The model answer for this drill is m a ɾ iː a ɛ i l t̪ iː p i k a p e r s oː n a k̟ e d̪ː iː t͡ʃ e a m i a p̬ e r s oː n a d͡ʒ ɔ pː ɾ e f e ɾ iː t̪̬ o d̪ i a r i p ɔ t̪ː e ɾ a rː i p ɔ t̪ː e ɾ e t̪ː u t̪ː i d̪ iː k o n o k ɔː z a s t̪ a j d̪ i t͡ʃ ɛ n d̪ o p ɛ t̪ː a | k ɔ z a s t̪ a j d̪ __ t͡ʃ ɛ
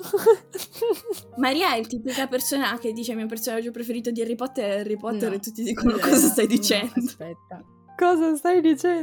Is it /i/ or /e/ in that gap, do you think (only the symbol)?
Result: i